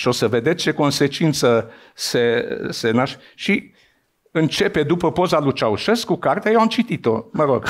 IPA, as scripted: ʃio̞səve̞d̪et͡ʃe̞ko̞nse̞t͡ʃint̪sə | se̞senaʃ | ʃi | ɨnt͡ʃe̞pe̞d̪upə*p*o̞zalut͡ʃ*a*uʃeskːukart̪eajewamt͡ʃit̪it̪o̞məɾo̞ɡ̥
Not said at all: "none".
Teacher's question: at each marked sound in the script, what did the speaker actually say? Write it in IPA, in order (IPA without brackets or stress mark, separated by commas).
p, a